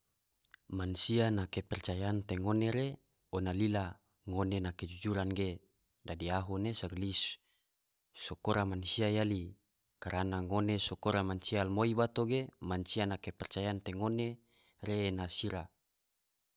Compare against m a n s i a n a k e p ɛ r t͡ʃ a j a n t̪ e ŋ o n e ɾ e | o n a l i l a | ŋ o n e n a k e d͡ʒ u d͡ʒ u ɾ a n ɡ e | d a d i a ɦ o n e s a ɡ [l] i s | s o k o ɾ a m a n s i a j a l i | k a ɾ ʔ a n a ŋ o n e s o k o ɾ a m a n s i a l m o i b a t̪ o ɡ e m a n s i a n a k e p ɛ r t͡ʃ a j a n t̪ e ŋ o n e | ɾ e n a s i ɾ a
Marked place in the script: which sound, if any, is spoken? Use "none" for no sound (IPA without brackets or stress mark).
l